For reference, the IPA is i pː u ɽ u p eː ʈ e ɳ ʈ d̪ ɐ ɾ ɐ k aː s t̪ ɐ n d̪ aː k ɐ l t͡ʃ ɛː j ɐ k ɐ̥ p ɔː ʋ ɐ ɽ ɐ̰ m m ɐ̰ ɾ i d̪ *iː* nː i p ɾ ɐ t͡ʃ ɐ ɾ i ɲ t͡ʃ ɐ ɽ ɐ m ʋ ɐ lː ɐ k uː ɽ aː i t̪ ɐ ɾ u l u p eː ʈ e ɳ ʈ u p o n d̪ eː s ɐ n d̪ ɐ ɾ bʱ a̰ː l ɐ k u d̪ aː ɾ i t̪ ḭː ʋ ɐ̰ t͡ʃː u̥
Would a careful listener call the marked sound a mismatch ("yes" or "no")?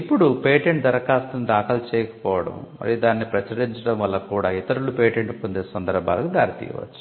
yes